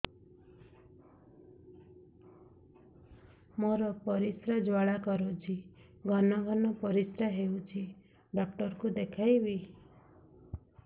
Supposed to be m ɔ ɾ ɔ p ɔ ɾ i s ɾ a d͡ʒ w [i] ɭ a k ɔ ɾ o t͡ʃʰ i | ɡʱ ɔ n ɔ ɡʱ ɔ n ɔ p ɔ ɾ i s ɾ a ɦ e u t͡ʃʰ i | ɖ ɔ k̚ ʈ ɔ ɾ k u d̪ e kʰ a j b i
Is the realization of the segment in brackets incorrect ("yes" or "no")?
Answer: yes